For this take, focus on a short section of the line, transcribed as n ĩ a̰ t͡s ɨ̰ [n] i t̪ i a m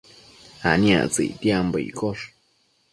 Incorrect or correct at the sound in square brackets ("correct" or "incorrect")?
incorrect